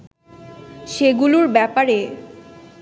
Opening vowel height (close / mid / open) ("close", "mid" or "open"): mid